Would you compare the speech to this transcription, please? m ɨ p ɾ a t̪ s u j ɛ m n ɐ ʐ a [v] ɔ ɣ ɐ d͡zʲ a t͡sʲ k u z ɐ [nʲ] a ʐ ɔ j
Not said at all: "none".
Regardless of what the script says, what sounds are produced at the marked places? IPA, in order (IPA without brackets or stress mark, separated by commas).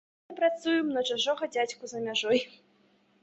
ʐ, mʲ